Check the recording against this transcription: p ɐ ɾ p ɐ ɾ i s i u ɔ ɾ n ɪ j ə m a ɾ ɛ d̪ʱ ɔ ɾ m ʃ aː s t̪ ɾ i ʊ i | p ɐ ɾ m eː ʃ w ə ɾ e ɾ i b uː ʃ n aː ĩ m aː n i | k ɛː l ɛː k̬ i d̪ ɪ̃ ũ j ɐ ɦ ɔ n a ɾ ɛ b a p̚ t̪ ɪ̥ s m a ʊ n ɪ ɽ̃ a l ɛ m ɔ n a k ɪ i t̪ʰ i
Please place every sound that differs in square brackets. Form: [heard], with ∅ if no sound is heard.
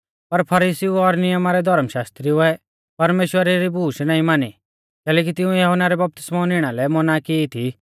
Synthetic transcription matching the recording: p ɐ ɾ [pʰ] ɐ ɾ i s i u ɔ ɾ n ɪ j ə m a ɾ ɛ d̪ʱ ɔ ɾ m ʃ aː s t̪ ɾ i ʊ [ɛ] | p ɐ ɾ m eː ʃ w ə ɾ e ɾ i b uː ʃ n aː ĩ m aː n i | k ɛː l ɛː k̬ i [t̪] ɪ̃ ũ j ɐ ɦ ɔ n a ɾ ɛ b [ɐ] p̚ t̪ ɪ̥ s m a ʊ n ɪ ɽ̃ a l ɛ m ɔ n a k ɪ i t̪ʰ i